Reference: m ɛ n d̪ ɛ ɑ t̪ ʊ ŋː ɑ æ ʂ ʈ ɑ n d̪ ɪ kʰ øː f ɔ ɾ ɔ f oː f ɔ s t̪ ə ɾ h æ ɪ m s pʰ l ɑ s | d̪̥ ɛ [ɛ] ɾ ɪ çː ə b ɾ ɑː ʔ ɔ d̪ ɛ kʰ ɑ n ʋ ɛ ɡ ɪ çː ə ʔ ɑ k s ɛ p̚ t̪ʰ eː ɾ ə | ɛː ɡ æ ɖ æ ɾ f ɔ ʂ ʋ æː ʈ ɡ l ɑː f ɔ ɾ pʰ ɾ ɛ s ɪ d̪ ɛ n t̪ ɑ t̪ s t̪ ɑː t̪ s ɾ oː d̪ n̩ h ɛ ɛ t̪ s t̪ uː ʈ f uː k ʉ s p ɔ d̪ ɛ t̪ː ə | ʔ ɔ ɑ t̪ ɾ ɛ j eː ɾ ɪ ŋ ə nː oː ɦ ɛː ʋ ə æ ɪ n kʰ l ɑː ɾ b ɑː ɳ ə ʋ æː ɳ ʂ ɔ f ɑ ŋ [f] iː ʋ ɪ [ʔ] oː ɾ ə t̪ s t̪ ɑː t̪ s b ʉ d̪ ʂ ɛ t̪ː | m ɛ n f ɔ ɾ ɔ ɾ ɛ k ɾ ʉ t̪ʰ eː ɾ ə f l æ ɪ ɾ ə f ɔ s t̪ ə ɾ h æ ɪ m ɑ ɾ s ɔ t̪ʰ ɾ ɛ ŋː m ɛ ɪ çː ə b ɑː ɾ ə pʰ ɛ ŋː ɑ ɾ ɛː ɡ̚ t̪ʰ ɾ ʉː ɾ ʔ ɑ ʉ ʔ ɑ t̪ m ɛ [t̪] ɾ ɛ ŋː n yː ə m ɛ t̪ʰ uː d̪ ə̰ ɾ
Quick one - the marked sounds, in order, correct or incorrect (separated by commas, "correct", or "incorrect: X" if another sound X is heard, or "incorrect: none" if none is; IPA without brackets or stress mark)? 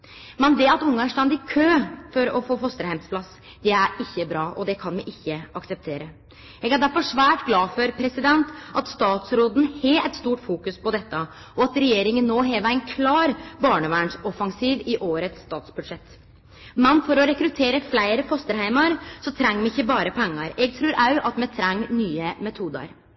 incorrect: æ, incorrect: s, correct, incorrect: t̪ʰ